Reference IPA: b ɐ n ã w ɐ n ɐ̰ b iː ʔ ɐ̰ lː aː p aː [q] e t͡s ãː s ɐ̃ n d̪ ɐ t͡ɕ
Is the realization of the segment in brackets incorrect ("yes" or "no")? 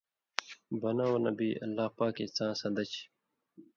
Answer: yes